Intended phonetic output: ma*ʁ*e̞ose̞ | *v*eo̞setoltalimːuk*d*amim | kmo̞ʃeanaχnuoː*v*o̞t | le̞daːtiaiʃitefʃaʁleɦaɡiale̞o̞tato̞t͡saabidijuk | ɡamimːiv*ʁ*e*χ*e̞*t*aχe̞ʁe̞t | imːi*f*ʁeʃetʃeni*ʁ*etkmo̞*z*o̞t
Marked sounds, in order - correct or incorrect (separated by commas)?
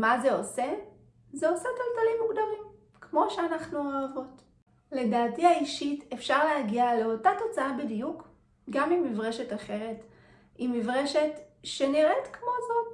incorrect, incorrect, correct, correct, correct, incorrect, correct, incorrect, correct, correct